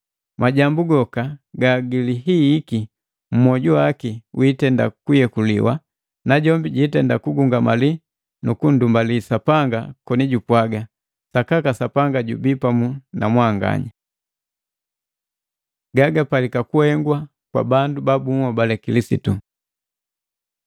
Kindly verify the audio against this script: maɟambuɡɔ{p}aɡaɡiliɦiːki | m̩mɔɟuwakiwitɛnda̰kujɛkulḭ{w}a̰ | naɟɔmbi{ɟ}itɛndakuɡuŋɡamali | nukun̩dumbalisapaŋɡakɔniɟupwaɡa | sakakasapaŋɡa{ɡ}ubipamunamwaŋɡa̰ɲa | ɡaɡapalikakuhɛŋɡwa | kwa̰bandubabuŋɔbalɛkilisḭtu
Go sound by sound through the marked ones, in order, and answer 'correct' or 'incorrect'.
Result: incorrect: k, correct, correct, incorrect: ɟ

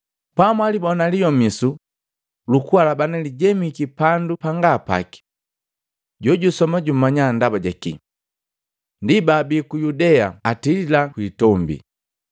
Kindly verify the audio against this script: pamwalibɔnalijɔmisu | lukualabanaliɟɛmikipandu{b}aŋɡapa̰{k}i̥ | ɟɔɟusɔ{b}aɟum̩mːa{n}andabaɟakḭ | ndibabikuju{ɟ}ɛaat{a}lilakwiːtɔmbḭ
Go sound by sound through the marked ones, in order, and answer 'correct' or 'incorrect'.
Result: incorrect: p, correct, incorrect: m, incorrect: ɲ, incorrect: d, incorrect: i

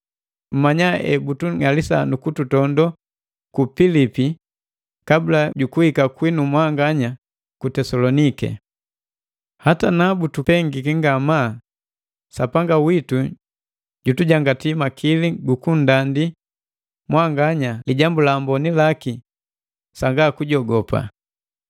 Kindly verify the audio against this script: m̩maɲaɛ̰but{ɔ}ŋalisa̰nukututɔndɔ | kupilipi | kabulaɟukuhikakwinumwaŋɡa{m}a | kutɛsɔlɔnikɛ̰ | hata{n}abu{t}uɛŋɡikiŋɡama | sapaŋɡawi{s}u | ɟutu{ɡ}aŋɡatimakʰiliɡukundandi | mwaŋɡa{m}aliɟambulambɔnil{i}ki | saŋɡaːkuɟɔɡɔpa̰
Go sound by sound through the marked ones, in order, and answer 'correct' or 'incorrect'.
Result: incorrect: u, incorrect: ɲ, correct, correct, incorrect: t, incorrect: ɟ, incorrect: ɲ, incorrect: a

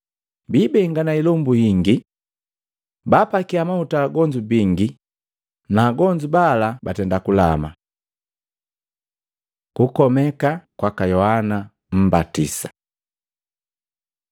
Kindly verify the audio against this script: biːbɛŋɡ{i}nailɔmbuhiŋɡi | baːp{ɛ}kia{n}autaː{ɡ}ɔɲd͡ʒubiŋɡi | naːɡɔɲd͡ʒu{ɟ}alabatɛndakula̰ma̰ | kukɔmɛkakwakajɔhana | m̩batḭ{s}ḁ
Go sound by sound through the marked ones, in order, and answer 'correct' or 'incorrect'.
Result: incorrect: a, incorrect: a, incorrect: m, correct, incorrect: b, correct

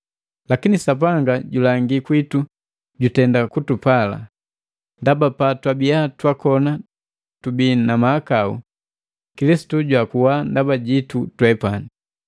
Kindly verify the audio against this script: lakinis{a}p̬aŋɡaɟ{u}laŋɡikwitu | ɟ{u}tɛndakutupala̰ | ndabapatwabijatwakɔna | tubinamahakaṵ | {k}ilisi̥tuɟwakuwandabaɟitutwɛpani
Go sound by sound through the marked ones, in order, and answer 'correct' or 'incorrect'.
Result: correct, correct, correct, correct

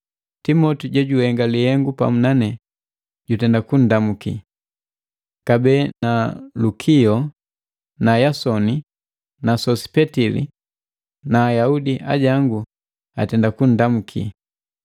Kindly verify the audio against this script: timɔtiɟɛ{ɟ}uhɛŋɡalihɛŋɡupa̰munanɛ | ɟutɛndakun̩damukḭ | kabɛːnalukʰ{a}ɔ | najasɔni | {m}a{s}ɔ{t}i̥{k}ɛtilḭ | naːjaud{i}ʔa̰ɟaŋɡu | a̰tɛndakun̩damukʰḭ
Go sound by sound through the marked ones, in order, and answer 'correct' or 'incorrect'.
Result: correct, incorrect: i, incorrect: n, correct, incorrect: s, incorrect: p, correct

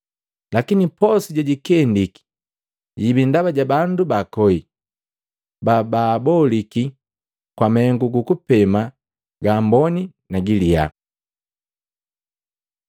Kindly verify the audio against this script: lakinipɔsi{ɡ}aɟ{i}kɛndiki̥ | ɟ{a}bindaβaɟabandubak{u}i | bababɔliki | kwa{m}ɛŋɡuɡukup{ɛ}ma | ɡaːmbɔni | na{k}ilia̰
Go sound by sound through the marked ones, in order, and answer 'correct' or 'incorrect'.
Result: incorrect: ɟ, correct, incorrect: i, incorrect: ɔ, correct, correct, incorrect: ɡ

